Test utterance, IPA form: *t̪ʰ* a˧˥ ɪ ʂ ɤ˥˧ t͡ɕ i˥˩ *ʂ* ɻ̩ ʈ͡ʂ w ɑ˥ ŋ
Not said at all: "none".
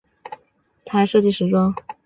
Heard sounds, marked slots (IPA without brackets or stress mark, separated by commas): t̪ʰ, ʂ